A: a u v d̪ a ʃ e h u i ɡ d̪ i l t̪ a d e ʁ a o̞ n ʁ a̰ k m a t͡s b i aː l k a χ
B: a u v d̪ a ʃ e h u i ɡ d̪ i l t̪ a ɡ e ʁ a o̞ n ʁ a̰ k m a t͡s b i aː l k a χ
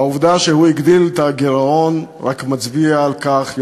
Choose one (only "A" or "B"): B